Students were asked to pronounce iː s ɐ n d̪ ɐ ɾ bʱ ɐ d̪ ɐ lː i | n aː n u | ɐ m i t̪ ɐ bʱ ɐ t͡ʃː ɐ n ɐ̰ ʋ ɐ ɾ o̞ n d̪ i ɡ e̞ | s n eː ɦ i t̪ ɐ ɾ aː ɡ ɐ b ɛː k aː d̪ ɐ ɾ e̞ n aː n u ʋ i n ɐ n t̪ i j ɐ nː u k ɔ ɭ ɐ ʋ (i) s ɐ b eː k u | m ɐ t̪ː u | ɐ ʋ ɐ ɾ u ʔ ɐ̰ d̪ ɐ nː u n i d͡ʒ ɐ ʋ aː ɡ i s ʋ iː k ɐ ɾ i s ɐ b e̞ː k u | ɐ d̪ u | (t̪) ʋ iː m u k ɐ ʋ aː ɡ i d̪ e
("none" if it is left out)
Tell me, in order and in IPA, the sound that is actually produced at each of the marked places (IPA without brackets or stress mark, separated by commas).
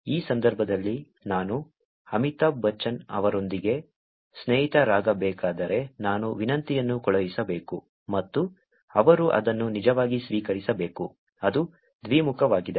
i, d̪